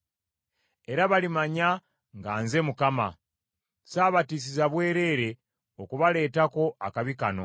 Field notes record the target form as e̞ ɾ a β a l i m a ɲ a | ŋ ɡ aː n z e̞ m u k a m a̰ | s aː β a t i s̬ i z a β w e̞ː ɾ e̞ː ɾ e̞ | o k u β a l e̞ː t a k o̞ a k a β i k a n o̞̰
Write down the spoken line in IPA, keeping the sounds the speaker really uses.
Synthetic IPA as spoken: e̞ ɾ a β a l i m a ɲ a | ŋ ɡ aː n z e̞ m u k a m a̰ | s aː β a t i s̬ i z a β w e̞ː ɾ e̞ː ɾ e̞ | o k u β a l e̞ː t a k o̞ a k a β i k a n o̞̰

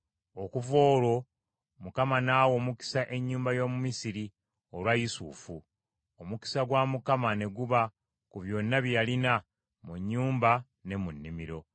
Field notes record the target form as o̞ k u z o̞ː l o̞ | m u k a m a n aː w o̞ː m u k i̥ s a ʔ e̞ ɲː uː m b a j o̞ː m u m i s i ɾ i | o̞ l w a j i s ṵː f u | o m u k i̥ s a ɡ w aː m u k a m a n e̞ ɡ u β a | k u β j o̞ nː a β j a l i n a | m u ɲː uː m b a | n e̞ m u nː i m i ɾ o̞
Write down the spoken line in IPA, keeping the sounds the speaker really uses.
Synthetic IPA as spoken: o̞ k u v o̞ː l o̞ | m u k a m a n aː w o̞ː m u k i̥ s a ʔ e̞ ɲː uː m b a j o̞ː m u m i s i ɾ i | o̞ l w a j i s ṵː f u | o m u k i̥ s a ɡ w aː m u k a m a n e̞ ɡ u β a | k u β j o̞ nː a β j a l i n a | m u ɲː uː m b a | n e̞ m u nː i m i ɾ o̞

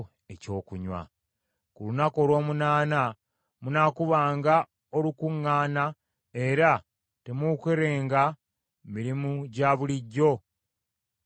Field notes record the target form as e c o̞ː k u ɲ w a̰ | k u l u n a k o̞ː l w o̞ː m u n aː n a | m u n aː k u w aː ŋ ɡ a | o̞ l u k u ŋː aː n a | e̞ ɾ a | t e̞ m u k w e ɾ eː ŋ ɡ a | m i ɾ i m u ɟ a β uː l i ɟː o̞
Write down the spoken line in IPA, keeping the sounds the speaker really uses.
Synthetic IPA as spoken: e c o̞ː k u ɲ w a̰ | k u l u n a k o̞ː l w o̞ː m u n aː n a | m u n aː k u β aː ŋ ɡ a | o̞ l u k u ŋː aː n a | e̞ ɾ a | t e̞ m u k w e ɾ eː ŋ ɡ a | m i ɾ i m u ɟ a β u l i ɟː o̞

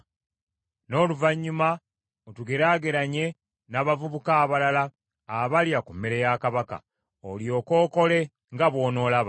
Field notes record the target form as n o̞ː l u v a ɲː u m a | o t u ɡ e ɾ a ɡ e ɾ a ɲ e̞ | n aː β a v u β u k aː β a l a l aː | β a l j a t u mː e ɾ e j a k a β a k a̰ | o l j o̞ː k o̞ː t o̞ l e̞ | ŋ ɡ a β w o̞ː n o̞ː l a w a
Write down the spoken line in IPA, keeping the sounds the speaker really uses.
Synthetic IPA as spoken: n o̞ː l u v a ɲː u m a | o t u ɡ e ɾ a ɡ e ɾ a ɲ e̞ | n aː β a v u β u k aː β a l a l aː | β a l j a k u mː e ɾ e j a k a β a k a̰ | o l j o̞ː k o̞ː k o̞ l e̞ | ŋ ɡ a β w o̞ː n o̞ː l a β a

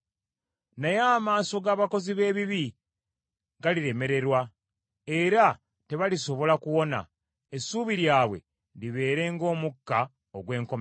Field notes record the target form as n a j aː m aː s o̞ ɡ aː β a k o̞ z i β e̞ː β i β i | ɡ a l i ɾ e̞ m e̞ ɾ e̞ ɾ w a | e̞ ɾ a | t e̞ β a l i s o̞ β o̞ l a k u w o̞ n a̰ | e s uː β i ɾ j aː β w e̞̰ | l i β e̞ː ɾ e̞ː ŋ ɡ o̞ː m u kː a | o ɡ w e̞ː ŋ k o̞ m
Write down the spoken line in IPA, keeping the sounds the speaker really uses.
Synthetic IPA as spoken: n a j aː m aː s o̞ ɡ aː β a k o̞ z i β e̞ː β i β i | ɡ a l i ɾ e̞ m e̞ ɾ e̞ ɾ w a | e̞ ɾ a | t e̞ β a l i s o̞ β o̞ l a k u w o̞ n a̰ | e s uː β i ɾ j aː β w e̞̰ | l i β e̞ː ɾ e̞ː ŋ ɡ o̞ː m u kː a | o ɡ w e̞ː ŋ k o̞ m

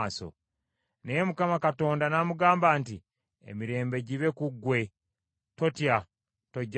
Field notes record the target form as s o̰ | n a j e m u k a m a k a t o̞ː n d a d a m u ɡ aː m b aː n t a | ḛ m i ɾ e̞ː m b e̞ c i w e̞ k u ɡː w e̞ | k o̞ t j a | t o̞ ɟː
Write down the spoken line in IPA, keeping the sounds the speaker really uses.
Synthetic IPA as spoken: s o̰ | n e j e m u k a m a k a t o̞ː n d a n a m u ɡ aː m b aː n t i | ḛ m i ɾ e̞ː m b e̞ ɟ i β e̞ k u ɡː w e̞ | t o̞ t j a | t o̞ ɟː

